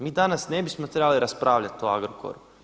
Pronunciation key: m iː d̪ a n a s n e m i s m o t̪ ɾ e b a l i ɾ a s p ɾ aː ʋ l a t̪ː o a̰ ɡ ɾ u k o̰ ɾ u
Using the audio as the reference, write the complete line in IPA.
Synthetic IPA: m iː d̪ a n a s n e b i s m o t̪ ɾ e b a l i ɾ a s p ɾ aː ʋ ʎ a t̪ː o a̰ ɡ ɾ o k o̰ ɾ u